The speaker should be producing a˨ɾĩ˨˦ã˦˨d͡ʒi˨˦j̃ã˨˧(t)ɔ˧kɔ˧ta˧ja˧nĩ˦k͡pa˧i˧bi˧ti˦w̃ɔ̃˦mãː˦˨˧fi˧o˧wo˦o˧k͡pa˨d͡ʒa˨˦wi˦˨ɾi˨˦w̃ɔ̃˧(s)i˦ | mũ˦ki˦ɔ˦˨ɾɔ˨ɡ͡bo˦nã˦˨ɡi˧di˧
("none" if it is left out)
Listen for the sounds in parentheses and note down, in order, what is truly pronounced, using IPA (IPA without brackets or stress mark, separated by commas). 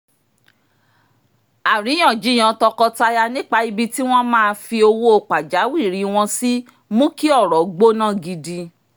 t, s